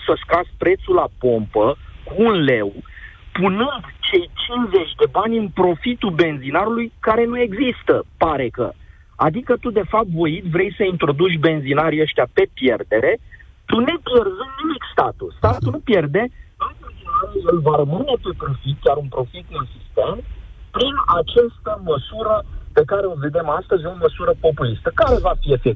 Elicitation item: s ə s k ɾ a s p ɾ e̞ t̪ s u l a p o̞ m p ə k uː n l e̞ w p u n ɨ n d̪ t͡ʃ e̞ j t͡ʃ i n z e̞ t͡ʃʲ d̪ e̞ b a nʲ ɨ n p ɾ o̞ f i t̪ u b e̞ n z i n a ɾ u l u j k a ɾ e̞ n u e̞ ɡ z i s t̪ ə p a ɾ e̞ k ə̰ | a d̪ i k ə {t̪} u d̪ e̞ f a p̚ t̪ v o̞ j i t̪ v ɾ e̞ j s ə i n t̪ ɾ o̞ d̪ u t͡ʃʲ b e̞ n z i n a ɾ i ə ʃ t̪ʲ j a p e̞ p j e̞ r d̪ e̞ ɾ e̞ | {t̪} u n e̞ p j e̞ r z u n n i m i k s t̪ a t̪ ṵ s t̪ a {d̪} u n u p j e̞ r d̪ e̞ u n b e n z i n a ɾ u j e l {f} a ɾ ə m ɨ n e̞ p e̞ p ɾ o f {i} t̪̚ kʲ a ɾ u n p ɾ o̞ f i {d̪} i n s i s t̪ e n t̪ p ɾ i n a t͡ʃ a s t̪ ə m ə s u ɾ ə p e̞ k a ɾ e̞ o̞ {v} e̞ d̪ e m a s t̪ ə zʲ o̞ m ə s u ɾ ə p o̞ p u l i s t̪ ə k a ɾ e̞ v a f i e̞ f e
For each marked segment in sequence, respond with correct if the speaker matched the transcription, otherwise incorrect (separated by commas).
correct, correct, incorrect, incorrect, correct, incorrect, correct